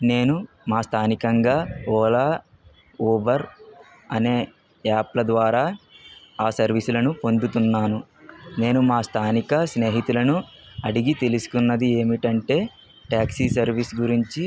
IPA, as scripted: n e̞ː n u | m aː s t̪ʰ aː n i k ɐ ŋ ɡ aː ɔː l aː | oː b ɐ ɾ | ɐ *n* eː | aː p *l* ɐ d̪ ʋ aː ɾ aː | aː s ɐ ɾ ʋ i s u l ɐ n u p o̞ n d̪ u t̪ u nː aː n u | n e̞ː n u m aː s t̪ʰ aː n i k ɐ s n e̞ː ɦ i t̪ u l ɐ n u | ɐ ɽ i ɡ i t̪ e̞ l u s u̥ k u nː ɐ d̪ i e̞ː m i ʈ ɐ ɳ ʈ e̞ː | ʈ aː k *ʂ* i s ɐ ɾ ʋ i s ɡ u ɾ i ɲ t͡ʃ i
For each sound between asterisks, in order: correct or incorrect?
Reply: correct, correct, incorrect

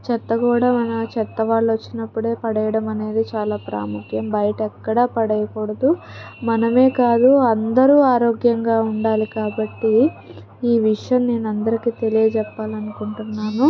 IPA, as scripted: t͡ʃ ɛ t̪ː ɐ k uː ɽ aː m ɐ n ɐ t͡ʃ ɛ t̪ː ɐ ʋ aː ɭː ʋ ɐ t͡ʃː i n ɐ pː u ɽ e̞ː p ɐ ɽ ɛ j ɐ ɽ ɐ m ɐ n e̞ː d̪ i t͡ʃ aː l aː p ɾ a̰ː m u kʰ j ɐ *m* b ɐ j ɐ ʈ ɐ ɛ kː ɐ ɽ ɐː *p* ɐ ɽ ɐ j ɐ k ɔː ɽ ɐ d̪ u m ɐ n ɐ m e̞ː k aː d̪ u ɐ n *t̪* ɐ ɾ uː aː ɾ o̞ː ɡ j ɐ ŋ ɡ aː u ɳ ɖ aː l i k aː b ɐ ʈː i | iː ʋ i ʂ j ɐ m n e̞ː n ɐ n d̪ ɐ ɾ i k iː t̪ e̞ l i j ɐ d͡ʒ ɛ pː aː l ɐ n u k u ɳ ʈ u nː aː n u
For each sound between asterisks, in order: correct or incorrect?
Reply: correct, correct, incorrect

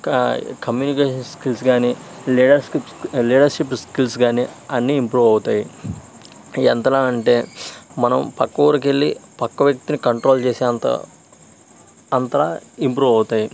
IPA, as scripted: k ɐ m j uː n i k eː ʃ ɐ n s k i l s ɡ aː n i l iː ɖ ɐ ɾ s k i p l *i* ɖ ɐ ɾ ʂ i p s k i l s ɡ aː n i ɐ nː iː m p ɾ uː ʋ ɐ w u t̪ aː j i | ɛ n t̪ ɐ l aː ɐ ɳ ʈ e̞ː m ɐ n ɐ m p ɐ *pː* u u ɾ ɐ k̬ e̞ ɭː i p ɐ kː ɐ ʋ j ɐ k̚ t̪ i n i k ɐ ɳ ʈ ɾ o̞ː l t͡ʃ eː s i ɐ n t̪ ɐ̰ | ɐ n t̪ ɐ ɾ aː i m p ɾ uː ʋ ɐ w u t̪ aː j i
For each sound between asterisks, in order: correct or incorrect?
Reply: incorrect, incorrect

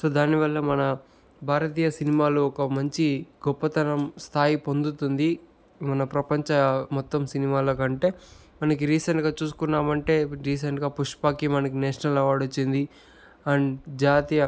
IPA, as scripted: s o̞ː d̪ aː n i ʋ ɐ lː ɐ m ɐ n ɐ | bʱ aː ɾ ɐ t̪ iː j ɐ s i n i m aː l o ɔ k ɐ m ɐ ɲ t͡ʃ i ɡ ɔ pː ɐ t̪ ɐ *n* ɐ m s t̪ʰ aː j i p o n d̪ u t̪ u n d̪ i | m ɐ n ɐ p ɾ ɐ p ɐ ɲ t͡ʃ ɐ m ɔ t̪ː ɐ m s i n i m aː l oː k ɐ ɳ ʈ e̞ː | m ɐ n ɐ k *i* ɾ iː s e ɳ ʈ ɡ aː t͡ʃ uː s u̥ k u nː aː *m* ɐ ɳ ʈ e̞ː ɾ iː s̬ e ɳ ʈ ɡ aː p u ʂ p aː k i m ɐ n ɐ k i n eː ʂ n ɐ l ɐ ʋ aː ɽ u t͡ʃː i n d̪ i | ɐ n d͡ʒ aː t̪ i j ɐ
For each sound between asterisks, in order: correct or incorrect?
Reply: correct, correct, correct

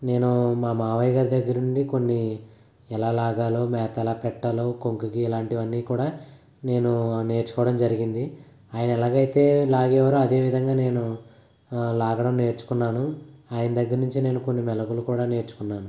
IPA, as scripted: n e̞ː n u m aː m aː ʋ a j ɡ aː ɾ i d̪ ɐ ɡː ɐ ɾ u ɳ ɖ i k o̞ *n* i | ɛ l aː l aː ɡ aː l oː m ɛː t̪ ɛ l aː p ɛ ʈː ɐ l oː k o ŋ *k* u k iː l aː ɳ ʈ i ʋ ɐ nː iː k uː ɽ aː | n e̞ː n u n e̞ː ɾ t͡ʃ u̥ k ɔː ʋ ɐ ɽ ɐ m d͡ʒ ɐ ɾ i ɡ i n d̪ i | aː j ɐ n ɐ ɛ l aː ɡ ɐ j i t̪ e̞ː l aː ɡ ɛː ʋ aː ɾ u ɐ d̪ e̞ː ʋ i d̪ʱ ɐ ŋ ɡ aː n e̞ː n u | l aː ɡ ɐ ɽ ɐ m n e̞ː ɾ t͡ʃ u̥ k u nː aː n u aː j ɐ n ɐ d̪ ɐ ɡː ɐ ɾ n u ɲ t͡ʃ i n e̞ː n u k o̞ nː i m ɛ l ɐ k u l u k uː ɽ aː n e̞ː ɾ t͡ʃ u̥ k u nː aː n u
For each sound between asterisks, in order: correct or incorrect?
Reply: incorrect, correct

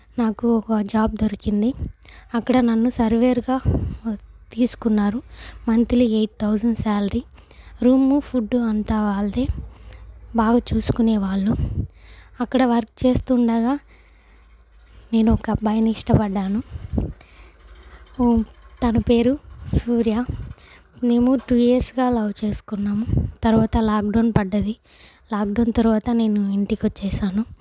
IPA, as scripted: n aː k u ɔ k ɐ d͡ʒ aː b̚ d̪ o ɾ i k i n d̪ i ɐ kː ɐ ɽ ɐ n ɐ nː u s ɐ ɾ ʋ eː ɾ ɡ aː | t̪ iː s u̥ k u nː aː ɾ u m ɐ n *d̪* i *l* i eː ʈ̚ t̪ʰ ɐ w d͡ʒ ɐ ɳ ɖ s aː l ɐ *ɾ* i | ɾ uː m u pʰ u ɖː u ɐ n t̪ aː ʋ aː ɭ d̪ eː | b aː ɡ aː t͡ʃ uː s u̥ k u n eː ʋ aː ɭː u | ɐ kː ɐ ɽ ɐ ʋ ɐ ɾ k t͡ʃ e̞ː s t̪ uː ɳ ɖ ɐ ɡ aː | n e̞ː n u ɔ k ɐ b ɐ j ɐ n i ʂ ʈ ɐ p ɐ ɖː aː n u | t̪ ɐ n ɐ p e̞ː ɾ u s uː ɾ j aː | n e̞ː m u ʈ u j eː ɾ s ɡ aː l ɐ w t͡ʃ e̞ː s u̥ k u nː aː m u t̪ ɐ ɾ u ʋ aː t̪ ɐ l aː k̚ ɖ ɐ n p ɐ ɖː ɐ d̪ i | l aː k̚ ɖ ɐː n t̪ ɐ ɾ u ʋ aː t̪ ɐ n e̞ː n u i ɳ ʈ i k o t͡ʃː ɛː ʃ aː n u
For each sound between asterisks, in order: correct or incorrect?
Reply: incorrect, correct, correct

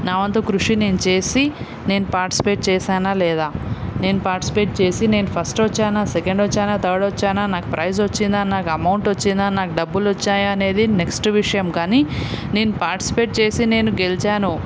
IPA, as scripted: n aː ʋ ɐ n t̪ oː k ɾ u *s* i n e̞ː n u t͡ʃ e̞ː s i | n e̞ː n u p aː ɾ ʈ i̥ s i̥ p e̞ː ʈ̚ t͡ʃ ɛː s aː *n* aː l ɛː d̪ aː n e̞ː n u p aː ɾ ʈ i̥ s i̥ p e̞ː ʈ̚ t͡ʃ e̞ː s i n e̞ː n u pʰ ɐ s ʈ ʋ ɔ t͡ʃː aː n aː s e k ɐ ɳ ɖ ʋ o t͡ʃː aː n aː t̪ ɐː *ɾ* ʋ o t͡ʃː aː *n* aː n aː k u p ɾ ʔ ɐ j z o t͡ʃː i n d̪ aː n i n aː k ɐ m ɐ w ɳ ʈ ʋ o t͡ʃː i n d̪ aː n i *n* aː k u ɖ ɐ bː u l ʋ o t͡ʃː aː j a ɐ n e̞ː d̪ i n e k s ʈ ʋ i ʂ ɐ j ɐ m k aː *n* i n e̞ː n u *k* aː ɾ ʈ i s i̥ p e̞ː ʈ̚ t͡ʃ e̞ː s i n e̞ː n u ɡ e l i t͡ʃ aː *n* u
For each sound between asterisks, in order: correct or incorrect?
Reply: incorrect, correct, incorrect, correct, correct, correct, incorrect, correct

